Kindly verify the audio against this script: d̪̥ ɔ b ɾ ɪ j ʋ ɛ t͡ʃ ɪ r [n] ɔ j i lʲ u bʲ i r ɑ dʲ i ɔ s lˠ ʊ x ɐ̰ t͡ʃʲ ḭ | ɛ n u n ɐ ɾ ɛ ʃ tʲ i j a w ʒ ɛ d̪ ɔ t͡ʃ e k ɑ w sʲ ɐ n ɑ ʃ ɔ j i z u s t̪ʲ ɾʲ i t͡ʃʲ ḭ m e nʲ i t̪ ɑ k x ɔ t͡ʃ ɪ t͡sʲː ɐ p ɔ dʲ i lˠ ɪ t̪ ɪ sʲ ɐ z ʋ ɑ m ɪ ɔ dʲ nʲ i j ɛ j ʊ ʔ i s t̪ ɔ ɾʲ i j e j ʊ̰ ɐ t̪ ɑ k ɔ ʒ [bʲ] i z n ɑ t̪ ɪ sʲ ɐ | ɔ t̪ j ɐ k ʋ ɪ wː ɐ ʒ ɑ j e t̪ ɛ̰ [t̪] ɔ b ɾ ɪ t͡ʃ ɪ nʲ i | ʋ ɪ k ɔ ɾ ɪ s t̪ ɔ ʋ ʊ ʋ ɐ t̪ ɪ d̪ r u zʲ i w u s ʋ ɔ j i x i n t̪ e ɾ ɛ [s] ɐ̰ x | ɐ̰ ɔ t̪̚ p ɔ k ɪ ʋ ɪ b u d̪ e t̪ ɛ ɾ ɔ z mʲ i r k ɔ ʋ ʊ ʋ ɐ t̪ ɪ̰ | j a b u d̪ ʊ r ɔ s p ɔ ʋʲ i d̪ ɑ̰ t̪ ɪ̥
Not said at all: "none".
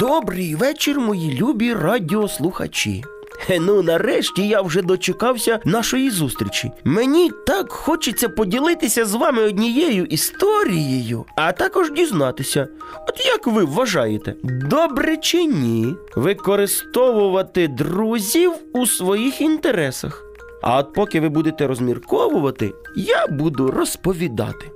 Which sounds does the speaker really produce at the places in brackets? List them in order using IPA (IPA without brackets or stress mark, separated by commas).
m, dʲ, d̪, s